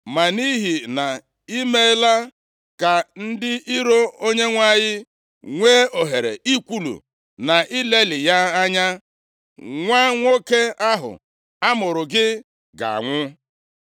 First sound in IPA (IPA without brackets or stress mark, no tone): m